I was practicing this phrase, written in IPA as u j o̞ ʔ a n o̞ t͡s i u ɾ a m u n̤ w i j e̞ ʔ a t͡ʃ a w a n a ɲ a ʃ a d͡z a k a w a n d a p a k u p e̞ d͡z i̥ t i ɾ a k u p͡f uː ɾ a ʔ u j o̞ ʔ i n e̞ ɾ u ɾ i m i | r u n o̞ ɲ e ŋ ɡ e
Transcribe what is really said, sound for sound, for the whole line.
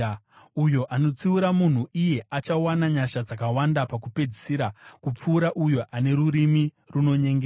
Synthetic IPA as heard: u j o̞ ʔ a n o̞ t͡s i u ɾ a m u n̤ u i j e̞ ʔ a t͡ʃ a w a n a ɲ a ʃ a d͡z a k a w a n d a p a k u p e̞ d͡z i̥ s i ɾ a k u p͡f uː ɾ a ʔ u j o̞ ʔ a n e̞ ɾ u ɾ i m i | r u n o̞ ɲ e ŋ ɡ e